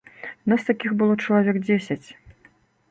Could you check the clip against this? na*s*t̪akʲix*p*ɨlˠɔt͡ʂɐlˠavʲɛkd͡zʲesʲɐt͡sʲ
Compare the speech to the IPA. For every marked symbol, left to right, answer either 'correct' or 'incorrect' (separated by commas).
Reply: correct, incorrect